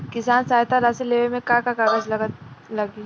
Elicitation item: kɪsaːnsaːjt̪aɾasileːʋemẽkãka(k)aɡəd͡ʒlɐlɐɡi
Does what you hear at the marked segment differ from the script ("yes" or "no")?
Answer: no